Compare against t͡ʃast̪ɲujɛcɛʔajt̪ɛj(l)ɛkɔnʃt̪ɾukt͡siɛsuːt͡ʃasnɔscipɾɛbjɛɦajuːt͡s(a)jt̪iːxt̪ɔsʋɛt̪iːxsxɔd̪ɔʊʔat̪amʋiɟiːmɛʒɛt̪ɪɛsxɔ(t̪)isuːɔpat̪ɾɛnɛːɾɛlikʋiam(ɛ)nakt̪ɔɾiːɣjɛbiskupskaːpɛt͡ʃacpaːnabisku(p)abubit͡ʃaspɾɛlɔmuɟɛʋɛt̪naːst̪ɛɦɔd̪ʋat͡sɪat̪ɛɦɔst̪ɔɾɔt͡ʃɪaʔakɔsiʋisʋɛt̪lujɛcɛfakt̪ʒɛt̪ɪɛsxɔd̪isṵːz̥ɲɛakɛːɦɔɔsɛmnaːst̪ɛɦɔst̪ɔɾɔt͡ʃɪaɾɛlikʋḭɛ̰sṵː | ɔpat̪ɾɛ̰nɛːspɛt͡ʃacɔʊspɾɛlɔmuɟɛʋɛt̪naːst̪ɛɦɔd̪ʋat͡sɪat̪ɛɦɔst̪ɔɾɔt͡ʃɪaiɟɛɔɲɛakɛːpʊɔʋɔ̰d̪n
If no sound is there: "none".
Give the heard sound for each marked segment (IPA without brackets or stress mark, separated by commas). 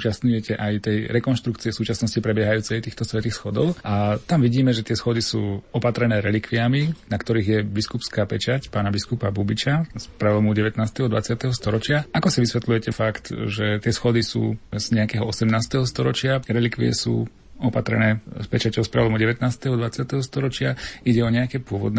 ɾ, ɛ, d̪, i, p